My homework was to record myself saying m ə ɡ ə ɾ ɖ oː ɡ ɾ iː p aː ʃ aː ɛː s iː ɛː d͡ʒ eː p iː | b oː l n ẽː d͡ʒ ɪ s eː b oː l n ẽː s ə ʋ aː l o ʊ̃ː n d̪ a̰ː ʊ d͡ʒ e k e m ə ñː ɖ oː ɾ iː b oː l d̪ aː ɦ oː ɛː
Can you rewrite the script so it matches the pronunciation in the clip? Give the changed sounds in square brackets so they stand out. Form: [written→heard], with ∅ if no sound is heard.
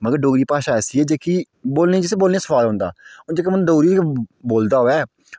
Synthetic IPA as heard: m ə ɡ ə ɾ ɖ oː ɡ ɾ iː p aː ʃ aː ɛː s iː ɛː d͡ʒ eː [p→k] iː | b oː l n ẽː d͡ʒ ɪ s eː b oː l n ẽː s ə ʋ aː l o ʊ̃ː n d̪ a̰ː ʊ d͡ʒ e k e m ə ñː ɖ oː ɾ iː b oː l d̪ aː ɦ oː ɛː